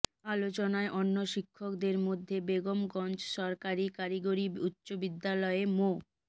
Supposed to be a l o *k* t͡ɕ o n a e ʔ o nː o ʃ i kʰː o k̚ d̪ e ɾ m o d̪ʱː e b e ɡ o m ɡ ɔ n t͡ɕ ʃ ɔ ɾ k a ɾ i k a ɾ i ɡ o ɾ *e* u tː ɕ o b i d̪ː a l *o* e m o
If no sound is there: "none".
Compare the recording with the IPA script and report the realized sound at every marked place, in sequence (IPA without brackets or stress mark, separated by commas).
none, i, ɔ